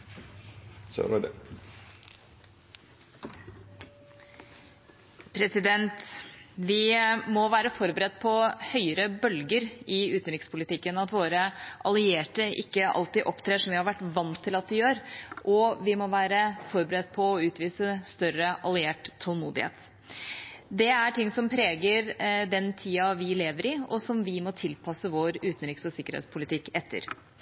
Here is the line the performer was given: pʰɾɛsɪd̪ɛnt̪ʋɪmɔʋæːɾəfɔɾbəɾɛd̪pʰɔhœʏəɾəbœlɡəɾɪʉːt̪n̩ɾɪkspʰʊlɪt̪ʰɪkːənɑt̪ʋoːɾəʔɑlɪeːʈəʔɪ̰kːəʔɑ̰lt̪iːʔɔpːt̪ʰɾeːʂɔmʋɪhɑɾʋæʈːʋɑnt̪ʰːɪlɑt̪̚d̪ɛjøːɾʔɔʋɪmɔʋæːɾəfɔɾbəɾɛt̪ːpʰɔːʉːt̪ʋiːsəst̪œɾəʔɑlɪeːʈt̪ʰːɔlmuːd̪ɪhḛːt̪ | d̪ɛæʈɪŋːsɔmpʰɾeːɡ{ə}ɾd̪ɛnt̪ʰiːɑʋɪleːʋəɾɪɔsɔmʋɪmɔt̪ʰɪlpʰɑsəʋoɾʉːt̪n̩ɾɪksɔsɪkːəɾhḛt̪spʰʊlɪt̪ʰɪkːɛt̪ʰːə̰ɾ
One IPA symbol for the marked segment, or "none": ə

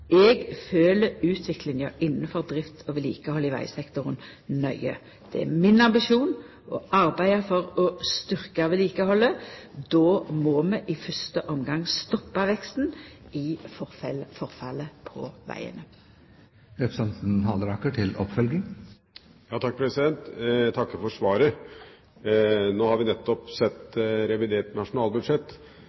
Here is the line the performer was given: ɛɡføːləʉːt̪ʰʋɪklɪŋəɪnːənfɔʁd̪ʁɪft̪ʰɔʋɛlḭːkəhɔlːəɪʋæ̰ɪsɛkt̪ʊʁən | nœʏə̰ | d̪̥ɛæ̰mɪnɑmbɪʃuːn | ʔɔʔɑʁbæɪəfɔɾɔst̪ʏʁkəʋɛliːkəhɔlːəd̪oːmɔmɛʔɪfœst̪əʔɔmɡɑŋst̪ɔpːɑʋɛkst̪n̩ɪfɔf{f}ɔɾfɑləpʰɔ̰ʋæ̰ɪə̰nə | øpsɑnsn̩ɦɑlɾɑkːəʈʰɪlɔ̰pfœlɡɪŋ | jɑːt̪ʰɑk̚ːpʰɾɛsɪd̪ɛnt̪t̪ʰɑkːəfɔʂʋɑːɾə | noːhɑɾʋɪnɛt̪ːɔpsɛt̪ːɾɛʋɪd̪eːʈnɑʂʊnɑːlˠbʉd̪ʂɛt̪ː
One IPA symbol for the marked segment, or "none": f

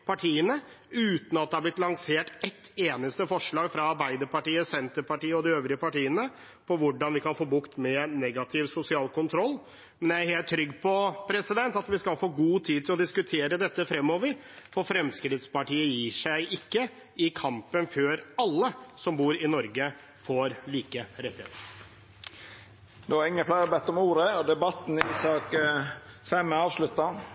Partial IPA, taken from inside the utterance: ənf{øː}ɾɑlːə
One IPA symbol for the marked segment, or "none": øː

